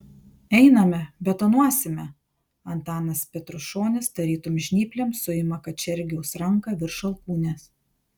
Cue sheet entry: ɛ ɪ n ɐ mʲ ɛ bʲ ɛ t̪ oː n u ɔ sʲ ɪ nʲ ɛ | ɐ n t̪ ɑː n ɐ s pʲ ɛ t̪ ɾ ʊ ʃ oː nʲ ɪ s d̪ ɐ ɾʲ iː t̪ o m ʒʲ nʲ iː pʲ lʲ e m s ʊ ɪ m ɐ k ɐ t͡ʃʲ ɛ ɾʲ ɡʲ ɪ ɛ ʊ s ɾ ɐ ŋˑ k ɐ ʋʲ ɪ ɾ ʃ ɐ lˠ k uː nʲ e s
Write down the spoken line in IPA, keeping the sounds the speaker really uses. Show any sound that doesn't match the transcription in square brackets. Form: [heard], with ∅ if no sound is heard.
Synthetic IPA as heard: ɛ ɪ n ɐ mʲ ɛ bʲ ɛ t̪ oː n u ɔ sʲ ɪ [mʲ] ɛ | ɐ n t̪ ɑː n ɐ s pʲ ɛ t̪ ɾ ʊ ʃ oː nʲ ɪ s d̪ ɐ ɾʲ iː t̪ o m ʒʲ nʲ iː pʲ lʲ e m s ʊ ɪ m ɐ k ɐ t͡ʃʲ ɛ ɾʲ ɡʲ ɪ ɛ ʊ s ɾ ɐ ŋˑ k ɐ ʋʲ ɪ ɾ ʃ ɐ lˠ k uː nʲ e s